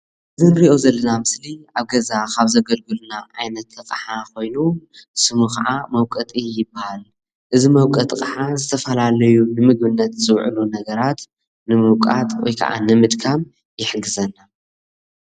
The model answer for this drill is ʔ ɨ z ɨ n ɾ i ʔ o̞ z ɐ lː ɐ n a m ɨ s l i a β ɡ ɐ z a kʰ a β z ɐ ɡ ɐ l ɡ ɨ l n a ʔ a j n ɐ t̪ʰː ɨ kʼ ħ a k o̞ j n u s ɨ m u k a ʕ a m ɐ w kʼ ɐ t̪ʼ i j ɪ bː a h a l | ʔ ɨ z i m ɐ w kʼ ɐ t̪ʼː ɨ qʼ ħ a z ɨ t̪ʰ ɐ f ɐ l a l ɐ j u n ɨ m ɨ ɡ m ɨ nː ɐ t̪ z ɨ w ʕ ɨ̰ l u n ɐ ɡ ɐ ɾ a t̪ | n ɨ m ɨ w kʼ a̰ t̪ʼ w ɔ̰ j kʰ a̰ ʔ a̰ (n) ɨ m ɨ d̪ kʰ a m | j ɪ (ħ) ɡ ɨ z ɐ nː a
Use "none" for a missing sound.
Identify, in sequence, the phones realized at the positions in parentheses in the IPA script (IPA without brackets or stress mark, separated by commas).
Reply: n, ħ